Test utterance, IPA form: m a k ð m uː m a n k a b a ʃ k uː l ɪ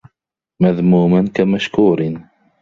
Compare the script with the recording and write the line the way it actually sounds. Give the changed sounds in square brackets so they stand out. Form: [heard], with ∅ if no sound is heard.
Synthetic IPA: m a [∅] ð m uː m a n k a [m] a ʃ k uː [ɾ] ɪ